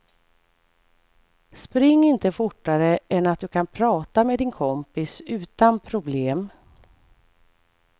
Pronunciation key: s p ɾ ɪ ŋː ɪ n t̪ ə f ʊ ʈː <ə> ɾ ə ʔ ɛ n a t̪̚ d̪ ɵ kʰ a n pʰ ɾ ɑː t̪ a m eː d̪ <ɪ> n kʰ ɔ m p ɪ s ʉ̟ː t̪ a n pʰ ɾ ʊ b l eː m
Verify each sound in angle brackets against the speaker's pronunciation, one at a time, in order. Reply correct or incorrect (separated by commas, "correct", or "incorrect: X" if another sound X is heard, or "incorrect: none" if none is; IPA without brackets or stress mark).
incorrect: a, correct